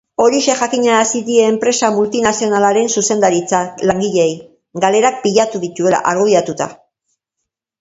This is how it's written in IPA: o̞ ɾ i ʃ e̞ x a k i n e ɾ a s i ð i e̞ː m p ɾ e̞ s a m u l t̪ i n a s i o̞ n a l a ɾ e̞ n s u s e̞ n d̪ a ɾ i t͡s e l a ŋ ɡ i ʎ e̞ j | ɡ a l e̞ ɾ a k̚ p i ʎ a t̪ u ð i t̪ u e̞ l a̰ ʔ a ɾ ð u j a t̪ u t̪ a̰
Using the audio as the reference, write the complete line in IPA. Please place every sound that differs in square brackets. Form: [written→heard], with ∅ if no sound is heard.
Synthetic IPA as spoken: o̞ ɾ i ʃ e̞ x a k i [n→ɲ] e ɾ a s i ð i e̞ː m p ɾ e̞ s a m u l t̪ i n a s i o̞ n a l a ɾ e̞ n s u s e̞ n d̪ a ɾ i t͡s [e→a] l a ŋ ɡ i ʎ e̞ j | ɡ a l e̞ ɾ a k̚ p i ʎ a t̪ u ð i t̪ u e̞ l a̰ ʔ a ɾ [ð→ɣ] u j a t̪ u t̪ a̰